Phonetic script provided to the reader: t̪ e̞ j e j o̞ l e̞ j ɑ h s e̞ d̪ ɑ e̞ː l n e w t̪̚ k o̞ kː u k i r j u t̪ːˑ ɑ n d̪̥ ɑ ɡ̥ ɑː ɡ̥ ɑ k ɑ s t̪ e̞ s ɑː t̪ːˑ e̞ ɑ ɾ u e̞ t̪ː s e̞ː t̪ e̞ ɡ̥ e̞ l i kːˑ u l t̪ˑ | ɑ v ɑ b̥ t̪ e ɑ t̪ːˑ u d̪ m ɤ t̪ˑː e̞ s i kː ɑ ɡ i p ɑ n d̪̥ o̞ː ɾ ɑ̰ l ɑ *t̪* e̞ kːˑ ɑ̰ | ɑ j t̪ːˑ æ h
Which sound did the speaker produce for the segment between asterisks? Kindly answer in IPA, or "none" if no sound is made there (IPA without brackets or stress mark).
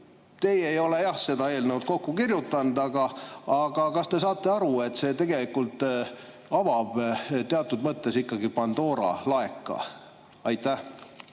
none